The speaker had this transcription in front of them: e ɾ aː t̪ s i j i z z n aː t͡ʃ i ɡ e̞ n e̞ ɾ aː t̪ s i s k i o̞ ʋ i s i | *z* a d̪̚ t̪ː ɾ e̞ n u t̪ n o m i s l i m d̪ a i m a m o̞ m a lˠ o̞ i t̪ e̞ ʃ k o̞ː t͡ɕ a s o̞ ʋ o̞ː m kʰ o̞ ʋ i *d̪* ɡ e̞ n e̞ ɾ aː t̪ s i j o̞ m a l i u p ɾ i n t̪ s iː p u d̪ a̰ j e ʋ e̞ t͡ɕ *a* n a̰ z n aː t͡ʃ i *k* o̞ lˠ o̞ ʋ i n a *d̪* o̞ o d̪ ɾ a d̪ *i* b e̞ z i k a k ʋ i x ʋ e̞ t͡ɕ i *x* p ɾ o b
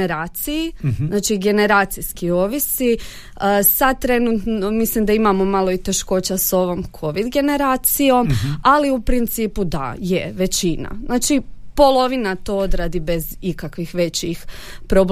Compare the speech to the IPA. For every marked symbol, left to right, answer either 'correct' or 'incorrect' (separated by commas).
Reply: incorrect, correct, incorrect, incorrect, incorrect, correct, correct